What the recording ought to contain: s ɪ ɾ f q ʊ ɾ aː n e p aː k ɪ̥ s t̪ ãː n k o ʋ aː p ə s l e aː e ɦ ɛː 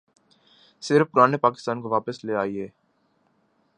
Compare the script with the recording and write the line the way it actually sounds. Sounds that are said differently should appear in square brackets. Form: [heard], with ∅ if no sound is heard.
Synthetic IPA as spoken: s ɪ ɾ f [p] ʊ ɾ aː n e p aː k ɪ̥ s t̪ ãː n k o ʋ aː p ə s l e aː [i] ɦ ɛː